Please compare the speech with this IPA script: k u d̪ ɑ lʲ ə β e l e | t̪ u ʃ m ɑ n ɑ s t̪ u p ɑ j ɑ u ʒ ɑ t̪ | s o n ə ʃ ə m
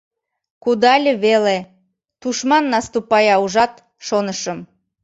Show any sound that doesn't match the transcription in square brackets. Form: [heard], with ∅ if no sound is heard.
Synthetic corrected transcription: k u d̪ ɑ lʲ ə β e l e | t̪ u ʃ m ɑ [nː] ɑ s t̪ u p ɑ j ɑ u ʒ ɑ t̪ | [ʃ] o n ə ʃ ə m